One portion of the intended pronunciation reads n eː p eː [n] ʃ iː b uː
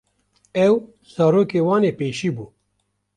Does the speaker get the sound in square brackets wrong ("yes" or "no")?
yes